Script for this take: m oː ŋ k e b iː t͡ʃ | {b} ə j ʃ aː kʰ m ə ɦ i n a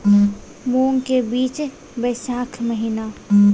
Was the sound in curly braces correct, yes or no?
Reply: yes